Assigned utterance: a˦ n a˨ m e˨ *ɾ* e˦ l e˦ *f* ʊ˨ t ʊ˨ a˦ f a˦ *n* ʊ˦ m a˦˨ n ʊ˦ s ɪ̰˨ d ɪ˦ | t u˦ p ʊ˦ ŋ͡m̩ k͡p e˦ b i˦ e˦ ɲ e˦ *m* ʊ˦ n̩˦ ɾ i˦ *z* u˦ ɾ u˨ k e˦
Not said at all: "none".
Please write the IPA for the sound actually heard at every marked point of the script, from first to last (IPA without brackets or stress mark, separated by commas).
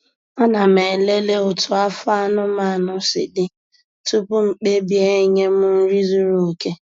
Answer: l, none, n, m, z